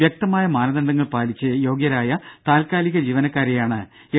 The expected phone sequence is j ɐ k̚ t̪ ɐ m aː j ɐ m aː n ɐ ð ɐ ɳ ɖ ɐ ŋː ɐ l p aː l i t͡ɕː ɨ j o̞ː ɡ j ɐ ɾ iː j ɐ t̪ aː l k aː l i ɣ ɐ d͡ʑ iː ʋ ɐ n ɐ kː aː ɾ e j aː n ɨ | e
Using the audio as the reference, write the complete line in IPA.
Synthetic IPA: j ɐ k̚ t̪ ɐ m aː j ɐ m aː n ɐ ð ɐ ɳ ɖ ɐ ŋː ɐ ɭ p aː l i t͡ɕː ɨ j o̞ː ɡ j ɐ ɾ aː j ɐ t̪ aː l k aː l i ɣ ɐ d͡ʑ iː ʋ ɐ n ɐ kː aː ɾ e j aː ɳ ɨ | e